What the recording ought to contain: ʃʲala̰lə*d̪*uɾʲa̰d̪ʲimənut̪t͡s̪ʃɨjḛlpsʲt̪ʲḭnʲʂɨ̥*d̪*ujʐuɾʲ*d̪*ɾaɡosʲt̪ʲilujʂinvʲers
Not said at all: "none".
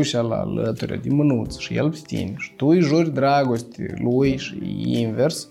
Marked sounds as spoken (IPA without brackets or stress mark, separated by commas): t̪, t̪, d̪